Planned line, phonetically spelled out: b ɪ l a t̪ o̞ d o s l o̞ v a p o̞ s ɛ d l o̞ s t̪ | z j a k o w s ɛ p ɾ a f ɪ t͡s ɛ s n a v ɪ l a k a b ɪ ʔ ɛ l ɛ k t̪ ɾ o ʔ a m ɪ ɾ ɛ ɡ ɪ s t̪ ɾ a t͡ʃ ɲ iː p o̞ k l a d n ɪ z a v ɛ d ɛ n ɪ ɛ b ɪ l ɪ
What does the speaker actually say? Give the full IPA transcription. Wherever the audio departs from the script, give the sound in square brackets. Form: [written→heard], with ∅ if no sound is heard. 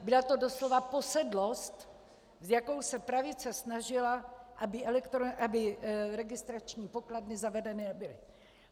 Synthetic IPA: b ɪ l a t̪ o̞ d o s l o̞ v a p o̞ s ɛ d l o̞ s t̪ | z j a k o w s ɛ p ɾ a [f→v] ɪ t͡s ɛ s n a [v→ʒ] ɪ l a [k→ʔ] a b ɪ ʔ ɛ l ɛ k t̪ ɾ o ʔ a [m→b] ɪ ɾ ɛ ɡ ɪ s t̪ ɾ a t͡ʃ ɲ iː p o̞ k l a d n ɪ z a v ɛ d ɛ n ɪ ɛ b ɪ l ɪ